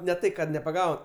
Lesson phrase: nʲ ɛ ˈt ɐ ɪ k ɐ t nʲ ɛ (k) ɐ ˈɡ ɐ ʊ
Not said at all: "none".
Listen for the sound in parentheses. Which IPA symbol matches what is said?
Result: p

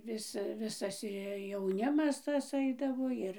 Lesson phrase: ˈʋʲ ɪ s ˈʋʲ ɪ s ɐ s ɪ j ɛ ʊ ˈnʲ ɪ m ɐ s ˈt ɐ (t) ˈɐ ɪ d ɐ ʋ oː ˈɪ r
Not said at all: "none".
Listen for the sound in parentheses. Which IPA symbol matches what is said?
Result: s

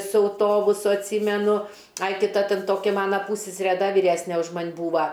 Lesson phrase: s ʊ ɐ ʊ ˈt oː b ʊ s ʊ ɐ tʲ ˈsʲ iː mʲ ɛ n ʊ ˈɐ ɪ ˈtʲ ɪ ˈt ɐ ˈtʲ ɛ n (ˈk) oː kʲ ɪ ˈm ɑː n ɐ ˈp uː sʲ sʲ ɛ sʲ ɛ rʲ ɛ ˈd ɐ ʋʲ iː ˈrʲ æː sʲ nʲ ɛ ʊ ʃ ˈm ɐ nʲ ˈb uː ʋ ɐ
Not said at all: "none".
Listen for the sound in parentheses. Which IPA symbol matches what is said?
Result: t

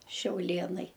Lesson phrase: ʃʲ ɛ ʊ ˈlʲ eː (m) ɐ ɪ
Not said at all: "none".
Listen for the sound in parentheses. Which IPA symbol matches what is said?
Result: n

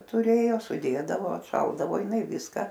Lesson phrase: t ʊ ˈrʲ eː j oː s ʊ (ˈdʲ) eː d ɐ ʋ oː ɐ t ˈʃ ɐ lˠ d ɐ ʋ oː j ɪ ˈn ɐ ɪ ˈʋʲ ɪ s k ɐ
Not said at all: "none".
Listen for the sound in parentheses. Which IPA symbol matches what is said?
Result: dʲ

